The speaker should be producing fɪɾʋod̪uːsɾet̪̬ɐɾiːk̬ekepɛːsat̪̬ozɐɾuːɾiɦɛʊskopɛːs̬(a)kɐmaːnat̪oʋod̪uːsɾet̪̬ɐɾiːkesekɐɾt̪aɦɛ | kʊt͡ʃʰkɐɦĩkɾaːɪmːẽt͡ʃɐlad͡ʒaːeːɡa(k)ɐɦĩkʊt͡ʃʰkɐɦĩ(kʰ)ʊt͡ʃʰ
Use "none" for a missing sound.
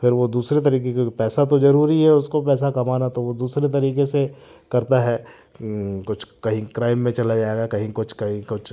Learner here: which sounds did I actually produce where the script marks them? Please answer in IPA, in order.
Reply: a, k, k

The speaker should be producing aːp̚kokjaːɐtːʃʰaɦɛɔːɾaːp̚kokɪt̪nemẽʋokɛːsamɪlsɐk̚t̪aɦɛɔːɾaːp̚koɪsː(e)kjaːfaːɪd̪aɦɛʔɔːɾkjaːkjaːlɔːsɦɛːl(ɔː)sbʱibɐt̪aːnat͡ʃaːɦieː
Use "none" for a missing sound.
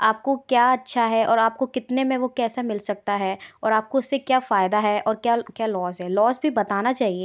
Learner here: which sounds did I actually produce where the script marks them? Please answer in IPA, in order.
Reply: e, ɔː

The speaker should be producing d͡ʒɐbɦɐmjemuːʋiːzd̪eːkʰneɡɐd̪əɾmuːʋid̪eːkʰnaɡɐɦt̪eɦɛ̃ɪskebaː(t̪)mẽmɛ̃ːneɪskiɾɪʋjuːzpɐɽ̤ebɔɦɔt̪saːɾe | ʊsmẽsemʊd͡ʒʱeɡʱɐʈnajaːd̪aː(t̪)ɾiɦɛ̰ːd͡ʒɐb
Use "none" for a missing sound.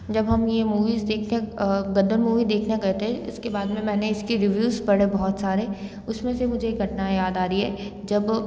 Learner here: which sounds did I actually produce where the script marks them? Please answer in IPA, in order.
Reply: d̪, none

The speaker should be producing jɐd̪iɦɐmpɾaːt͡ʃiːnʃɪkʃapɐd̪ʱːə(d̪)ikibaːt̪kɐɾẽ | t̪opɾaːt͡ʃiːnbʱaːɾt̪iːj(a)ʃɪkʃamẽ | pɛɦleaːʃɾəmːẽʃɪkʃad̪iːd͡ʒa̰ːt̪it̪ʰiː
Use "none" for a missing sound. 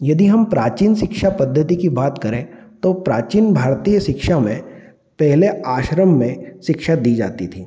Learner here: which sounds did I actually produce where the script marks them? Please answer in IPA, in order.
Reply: t̪, ə

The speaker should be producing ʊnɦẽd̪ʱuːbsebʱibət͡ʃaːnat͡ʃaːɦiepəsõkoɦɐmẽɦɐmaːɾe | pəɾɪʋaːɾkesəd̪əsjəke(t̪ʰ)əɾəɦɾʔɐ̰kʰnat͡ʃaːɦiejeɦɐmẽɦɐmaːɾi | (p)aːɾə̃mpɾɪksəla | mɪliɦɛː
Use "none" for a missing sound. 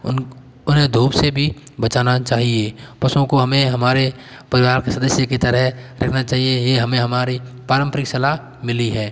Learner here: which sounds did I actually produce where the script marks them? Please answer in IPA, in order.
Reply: t̪, p

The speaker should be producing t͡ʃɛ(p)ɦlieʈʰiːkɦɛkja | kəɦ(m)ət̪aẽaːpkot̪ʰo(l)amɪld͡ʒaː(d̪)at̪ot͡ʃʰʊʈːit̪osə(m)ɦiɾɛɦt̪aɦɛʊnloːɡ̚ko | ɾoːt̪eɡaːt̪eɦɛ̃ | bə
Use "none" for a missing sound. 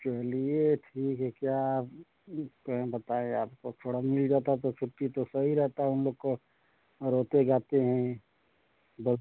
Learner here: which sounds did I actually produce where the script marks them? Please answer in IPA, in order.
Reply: none, b, ɽ, t̪, none

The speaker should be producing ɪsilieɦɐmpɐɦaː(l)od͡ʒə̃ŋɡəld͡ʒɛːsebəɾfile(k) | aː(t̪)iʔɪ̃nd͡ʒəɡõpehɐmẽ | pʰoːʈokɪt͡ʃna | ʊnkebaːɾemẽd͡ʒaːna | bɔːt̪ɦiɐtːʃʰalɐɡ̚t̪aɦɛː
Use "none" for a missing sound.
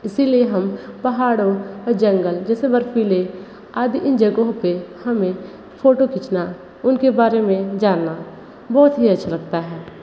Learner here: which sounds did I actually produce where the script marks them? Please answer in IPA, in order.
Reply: ɽ, none, d̪

